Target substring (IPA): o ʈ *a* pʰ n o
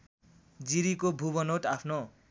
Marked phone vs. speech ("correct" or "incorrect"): correct